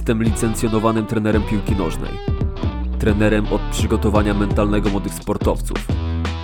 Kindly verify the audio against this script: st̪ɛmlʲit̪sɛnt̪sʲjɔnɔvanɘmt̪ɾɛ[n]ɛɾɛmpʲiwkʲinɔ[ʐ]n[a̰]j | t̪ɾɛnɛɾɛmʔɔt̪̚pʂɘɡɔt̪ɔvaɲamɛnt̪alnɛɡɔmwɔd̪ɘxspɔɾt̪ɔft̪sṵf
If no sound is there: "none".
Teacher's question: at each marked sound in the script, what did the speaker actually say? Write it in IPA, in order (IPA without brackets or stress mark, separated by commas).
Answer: n, ʐ, ɛ̰